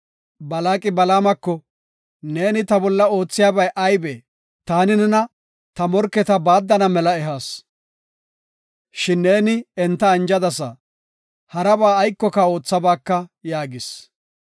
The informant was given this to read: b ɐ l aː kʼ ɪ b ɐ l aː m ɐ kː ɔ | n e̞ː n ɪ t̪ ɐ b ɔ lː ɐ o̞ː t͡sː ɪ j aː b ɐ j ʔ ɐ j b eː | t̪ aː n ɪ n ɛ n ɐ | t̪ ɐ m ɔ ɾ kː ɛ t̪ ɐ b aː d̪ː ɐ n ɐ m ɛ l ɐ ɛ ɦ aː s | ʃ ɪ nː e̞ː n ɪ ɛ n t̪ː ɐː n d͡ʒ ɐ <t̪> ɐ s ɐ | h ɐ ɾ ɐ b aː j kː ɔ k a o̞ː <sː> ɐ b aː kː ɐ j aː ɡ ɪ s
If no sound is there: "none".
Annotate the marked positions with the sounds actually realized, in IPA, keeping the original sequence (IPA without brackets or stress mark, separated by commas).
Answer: d̪, t͡sː